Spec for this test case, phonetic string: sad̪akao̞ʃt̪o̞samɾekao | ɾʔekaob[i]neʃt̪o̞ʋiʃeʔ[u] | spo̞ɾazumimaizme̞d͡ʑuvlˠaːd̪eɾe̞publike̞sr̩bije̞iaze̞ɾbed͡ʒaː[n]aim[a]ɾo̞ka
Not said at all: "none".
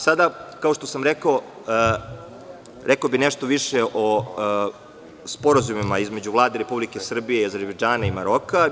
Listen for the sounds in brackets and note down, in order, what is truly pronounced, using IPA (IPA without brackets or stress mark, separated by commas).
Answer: i, o, n, a